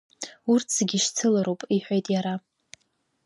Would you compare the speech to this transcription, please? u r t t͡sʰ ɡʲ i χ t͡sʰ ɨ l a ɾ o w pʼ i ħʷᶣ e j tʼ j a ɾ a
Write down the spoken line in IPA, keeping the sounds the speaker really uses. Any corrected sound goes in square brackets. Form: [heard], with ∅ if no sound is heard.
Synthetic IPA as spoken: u r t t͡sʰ ɡʲ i [ʃ] t͡sʰ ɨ l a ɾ o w pʼ i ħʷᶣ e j tʼ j a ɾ a